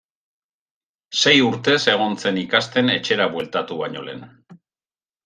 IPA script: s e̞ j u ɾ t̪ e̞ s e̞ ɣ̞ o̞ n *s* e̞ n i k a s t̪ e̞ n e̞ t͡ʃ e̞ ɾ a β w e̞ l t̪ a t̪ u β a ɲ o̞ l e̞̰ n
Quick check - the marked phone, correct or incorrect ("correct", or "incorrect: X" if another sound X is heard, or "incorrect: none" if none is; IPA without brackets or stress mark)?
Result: incorrect: t͡s